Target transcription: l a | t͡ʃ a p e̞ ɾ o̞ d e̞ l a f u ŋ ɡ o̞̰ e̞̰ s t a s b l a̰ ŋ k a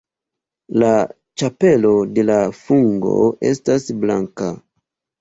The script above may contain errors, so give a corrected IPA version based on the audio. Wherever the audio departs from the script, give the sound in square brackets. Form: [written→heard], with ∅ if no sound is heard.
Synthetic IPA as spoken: l a | t͡ʃ a p e̞ [ɾ→l] o̞ d e̞ l a f u ŋ ɡ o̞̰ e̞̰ s t a s b l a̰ ŋ k a